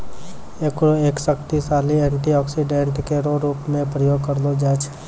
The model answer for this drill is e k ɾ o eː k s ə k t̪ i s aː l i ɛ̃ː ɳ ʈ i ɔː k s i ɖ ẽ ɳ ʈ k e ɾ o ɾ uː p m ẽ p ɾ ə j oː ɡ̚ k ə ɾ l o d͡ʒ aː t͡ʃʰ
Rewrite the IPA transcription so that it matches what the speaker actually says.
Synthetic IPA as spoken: e k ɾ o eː k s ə k t̪ i s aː l i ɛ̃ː ɳ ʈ i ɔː k s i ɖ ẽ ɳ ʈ k e ɾ o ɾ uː p m ẽ p ɾ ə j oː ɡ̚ k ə ɾ l o d͡ʒ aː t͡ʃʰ